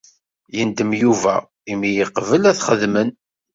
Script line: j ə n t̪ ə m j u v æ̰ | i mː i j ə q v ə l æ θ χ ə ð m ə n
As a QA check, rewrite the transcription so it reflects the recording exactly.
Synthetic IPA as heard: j ə n d̪ ə m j u v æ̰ | i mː i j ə q v ə l æ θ χ ə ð m ə n